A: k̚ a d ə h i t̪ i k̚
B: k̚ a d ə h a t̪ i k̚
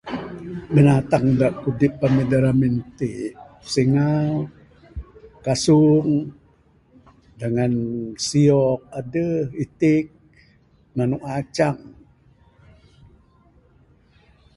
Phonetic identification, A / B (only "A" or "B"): A